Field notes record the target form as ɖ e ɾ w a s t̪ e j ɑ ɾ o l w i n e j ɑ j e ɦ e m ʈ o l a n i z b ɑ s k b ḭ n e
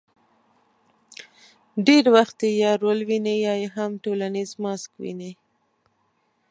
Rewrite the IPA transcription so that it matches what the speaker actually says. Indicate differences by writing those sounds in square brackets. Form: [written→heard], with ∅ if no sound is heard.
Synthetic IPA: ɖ e ɾ w a [s→x] t̪ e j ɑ ɾ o l w i n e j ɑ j e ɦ [e→a] m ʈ o l a n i z [b→m] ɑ s k [b→w] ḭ n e